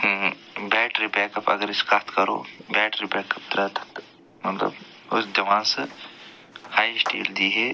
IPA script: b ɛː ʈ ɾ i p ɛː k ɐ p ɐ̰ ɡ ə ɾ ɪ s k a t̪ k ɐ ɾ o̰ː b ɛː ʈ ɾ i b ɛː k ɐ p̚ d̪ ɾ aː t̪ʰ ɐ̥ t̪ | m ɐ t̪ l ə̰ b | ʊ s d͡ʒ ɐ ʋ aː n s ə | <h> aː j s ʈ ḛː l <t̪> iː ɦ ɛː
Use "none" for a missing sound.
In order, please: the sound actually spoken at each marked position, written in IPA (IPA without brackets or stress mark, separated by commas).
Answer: h, d̪